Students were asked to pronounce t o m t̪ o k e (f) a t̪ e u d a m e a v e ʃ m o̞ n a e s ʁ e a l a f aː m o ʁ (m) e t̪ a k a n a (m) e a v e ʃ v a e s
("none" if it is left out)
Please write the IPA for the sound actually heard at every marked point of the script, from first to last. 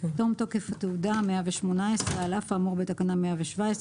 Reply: f, b, m

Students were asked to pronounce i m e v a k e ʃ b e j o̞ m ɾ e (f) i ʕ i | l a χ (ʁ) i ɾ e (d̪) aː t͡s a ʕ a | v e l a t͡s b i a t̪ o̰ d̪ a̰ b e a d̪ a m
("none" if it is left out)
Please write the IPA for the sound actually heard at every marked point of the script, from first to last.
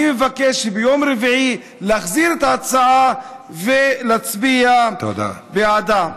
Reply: v, z, t̪

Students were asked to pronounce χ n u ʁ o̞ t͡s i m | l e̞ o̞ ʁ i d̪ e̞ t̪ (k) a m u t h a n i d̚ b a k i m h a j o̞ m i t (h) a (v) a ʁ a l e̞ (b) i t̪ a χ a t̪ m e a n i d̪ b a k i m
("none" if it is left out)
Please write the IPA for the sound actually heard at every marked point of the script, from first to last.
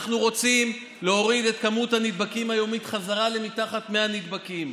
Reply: k, χ, z, m

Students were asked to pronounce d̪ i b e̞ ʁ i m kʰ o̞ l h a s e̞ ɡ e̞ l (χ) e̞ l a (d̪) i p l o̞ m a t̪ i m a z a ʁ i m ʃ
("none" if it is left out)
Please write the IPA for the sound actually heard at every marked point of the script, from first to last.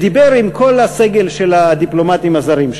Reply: ʃ, d̪

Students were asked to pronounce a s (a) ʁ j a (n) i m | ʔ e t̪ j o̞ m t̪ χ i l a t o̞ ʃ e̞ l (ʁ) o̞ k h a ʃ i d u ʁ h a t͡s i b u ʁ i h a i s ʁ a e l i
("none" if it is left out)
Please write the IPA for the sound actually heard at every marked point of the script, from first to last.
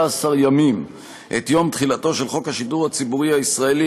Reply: a, m, χ

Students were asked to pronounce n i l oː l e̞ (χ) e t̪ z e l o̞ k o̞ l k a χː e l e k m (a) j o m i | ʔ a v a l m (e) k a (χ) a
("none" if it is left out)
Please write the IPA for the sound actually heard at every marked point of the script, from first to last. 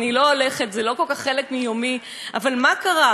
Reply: χ, i, a, ʁ

